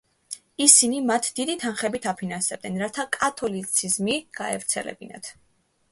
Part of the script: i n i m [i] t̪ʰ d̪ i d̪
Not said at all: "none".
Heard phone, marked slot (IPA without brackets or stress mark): a